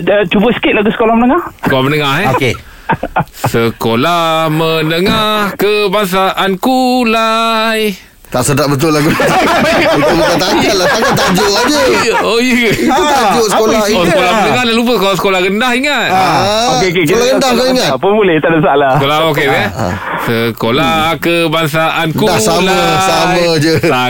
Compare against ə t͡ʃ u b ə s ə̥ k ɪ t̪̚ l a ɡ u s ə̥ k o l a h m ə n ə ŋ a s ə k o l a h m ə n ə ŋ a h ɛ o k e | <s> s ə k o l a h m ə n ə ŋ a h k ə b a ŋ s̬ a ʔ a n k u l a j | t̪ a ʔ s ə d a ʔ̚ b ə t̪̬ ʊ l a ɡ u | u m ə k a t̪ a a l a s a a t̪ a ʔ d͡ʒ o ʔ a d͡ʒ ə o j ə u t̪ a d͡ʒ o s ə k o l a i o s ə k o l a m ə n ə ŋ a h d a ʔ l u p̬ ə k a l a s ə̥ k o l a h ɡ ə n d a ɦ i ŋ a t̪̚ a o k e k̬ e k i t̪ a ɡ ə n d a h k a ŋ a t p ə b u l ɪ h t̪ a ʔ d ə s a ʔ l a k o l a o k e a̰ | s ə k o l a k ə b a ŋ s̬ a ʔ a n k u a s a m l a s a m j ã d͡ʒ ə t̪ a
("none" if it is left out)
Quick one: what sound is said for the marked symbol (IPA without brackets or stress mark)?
s